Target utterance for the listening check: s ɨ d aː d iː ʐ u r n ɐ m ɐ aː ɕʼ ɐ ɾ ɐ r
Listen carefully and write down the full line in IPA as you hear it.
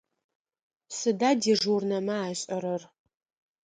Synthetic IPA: s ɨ d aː d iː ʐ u r n ɐ m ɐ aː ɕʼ ɐ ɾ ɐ r